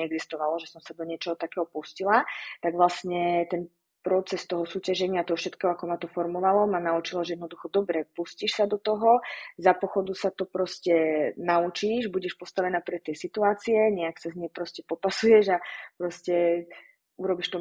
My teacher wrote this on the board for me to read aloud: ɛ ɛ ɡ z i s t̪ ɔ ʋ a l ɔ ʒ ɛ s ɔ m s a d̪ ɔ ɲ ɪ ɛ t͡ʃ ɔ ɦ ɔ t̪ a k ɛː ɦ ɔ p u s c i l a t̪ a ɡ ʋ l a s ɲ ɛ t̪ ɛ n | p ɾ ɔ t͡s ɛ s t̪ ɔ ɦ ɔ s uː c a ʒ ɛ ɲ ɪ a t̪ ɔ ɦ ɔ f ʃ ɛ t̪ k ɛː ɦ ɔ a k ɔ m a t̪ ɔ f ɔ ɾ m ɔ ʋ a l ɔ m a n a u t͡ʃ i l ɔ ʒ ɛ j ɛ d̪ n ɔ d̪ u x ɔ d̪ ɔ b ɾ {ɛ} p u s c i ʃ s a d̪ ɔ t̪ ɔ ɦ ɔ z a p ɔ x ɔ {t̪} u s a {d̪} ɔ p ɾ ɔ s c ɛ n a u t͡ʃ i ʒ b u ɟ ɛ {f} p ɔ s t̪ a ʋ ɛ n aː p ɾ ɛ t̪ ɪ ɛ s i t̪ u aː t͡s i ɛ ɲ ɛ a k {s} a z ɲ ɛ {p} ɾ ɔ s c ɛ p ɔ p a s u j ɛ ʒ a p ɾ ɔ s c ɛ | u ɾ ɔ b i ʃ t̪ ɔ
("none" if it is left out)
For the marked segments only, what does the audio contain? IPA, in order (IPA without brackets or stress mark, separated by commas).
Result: ɛ, d̪, t̪, ʃ, s, p